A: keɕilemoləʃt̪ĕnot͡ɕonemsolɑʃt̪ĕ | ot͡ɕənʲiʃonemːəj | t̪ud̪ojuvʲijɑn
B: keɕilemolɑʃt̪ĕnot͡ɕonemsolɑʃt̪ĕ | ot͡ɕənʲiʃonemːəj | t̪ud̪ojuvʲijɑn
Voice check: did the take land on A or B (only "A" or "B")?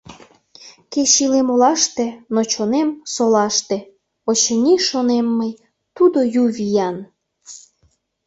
B